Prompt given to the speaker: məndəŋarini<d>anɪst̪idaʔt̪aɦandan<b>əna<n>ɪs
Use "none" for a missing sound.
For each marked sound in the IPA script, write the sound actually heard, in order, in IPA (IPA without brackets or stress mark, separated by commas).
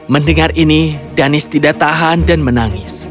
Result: d, m, ŋ